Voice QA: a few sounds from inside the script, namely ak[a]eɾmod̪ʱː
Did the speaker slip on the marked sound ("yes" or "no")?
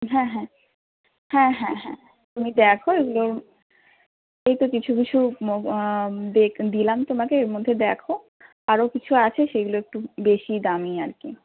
yes